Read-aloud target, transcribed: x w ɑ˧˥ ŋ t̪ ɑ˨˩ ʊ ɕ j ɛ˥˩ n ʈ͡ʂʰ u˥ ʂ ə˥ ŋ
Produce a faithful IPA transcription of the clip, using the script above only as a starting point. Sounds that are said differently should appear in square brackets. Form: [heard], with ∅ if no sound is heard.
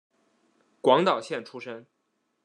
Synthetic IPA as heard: [k] w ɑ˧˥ ŋ t̪ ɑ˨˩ ʊ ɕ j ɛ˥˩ n ʈ͡ʂʰ u˥ ʂ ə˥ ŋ